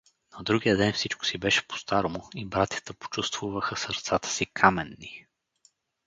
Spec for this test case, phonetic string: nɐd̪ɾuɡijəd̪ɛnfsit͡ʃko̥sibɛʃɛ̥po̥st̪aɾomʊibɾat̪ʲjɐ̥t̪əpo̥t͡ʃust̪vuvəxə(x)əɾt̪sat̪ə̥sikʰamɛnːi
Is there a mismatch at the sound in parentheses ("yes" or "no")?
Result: yes